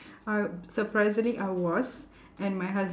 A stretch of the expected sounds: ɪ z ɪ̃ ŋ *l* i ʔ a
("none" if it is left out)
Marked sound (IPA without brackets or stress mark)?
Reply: l